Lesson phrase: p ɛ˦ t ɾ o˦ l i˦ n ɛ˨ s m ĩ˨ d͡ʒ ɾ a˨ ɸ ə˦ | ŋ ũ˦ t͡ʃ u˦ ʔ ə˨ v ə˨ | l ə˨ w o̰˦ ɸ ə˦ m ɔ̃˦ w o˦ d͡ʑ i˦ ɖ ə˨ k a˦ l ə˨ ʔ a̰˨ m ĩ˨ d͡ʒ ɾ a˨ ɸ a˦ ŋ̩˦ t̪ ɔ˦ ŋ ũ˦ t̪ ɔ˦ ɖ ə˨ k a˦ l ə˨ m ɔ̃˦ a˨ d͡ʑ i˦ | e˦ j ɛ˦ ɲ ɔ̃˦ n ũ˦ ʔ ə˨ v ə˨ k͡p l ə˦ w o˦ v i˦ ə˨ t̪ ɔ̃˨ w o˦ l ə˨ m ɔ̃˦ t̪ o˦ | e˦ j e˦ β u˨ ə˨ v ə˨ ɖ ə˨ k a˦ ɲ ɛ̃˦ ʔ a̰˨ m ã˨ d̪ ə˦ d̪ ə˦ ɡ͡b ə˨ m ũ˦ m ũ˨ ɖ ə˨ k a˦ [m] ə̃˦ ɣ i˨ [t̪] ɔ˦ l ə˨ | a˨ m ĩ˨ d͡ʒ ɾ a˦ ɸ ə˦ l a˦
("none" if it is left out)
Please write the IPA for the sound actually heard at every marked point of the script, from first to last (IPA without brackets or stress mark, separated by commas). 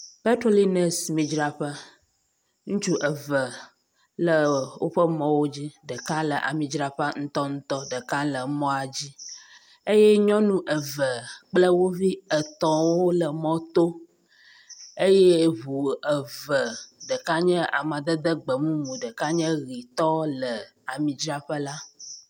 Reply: ɲ, t̪